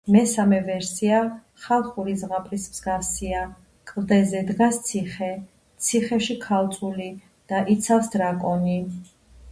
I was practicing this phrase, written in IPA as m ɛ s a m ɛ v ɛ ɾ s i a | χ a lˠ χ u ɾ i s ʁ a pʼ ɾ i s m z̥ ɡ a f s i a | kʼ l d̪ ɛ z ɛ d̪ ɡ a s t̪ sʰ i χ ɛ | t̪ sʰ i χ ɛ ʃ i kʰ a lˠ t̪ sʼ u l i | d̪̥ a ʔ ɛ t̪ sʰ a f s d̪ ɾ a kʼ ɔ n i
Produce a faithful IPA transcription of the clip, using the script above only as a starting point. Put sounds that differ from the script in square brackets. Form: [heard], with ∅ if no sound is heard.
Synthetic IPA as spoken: m ɛ s a m ɛ v ɛ ɾ s i a | χ a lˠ χ u ɾ i [z] ʁ a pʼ ɾ i s m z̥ ɡ a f s i a | kʼ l d̪ ɛ z ɛ d̪ ɡ a s t̪ sʰ i χ ɛ | t̪ sʰ i χ ɛ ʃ i kʰ a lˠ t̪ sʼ u l i | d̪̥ a ʔ [i] t̪ sʰ a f s d̪ ɾ a kʼ ɔ n i

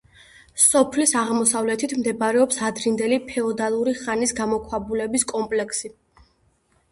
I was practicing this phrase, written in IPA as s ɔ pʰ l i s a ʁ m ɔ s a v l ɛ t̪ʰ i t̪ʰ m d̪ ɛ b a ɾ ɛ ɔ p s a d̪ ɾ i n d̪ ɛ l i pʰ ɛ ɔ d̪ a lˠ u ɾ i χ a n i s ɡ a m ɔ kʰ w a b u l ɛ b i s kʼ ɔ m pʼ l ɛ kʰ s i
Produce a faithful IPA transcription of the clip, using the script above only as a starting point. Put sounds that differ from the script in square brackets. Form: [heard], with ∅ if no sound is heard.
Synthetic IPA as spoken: s ɔ pʰ l i s a ʁ m ɔ s a v l ɛ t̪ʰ i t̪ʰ m d̪ ɛ b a ɾ ɛ ɔ p s a d̪ ɾ i n d̪ ɛ l i pʰ ɛ ɔ d̪ a lˠ u ɾ i χ a n i s ɡ a m ɔ kʰ w a b u l ɛ b i s kʼ ɔ m pʼ l ɛ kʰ s i

